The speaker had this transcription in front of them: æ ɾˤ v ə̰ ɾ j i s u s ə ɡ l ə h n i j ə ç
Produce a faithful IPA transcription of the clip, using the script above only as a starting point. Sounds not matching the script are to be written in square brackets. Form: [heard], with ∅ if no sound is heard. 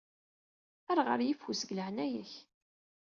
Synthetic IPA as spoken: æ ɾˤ [ʁ] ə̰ ɾ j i [f] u s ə ɡ l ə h n [æ] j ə ç